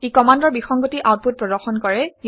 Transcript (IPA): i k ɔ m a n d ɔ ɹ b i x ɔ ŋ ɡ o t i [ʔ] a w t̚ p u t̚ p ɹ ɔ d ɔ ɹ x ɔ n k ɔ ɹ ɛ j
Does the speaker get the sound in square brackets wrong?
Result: no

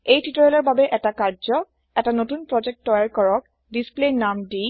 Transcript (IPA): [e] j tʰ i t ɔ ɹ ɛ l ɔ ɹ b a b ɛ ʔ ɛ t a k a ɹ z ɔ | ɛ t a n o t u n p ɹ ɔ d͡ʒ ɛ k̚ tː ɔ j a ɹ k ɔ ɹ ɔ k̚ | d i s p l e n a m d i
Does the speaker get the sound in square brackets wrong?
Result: no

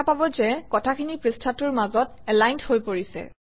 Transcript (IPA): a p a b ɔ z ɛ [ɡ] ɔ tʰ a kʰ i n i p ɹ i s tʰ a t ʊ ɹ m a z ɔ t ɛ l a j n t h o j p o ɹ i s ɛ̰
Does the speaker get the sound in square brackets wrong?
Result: yes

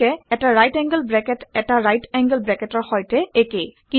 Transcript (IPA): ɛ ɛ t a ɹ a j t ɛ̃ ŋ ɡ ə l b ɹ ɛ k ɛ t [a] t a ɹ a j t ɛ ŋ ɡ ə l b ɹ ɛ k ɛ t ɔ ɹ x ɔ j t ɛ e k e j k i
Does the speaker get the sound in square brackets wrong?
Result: yes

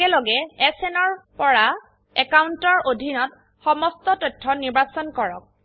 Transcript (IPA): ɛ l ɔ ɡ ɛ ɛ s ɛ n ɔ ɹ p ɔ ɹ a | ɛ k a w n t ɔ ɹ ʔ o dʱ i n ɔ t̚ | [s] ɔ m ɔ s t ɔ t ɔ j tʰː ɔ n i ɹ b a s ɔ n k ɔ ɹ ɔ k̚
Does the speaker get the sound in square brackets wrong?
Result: yes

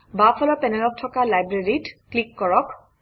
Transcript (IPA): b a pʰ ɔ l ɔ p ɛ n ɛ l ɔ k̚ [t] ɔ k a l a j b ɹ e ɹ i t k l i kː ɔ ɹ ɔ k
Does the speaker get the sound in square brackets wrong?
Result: yes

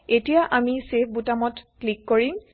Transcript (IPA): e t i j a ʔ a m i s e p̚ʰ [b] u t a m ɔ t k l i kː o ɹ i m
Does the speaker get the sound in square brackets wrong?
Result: no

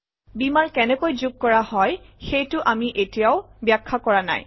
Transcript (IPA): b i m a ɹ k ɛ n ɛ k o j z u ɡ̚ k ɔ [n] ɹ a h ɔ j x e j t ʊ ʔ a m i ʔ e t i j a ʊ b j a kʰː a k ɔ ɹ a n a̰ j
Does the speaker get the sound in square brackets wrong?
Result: yes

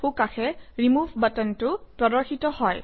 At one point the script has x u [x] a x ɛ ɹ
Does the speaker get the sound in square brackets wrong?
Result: yes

